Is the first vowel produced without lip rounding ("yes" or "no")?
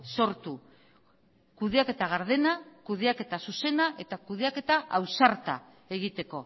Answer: no